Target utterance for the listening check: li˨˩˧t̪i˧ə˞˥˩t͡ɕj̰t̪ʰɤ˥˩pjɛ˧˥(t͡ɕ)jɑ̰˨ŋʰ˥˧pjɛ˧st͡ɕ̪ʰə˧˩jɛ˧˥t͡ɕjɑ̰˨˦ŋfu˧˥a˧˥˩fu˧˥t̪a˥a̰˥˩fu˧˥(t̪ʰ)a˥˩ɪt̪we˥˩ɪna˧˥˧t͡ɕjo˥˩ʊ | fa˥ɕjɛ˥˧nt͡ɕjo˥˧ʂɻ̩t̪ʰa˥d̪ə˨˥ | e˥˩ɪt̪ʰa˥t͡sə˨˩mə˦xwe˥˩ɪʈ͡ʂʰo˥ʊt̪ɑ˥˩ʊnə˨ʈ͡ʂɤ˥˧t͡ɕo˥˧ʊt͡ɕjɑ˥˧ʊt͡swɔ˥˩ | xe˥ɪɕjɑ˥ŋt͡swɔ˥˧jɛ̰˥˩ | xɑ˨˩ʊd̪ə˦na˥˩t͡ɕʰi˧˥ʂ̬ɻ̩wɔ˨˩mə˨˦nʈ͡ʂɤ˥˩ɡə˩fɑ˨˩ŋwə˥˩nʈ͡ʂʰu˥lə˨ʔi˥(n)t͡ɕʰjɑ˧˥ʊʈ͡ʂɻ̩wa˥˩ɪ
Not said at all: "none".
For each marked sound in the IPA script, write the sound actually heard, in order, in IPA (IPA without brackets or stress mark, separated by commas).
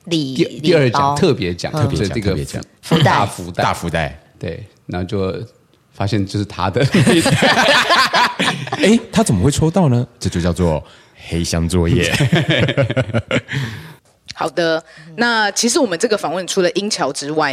t͡ɕ, t̪, ŋ